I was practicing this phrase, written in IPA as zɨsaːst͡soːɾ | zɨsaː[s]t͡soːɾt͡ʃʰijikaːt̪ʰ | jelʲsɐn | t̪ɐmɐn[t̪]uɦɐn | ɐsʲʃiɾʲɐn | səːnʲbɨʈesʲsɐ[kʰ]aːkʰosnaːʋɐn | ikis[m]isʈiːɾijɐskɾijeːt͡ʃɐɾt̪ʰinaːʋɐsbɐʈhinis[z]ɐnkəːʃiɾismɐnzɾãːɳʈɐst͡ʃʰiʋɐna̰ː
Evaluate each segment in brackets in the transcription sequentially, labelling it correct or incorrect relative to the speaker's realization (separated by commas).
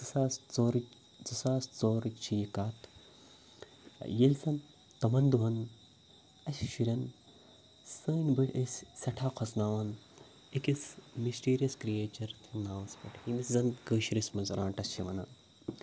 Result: correct, incorrect, incorrect, correct, correct